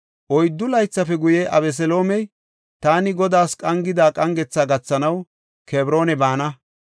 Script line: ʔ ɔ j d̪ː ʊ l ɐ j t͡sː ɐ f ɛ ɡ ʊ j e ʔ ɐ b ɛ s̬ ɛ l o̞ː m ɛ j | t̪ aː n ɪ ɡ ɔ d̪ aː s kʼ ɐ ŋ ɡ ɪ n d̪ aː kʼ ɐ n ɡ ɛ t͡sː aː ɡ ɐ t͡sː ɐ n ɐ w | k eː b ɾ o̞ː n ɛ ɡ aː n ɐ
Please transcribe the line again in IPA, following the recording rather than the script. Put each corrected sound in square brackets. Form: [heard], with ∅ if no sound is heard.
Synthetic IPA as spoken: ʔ ɔ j d̪ː ʊ l ɐ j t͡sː ɐ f ɛ ɡ ʊ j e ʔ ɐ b ɛ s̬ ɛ l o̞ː m ɛ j | t̪ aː n ɪ ɡ ɔ d̪ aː s kʼ ɐ ŋ ɡ ɪ [∅] d̪ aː kʼ ɐ [ŋ] ɡ ɛ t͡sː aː ɡ ɐ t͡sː ɐ n ɐ w | k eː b ɾ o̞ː n ɛ [b] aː n ɐ